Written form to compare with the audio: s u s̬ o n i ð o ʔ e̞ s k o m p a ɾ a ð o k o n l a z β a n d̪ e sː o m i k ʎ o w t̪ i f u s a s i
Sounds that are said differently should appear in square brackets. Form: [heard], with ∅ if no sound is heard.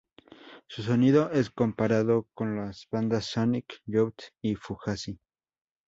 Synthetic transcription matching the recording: s u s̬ o n i ð o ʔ e̞ s k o m p a ɾ a ð o k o n l a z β a n d̪ [a] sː o [n] i k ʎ o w t̪ i f u [x] a s i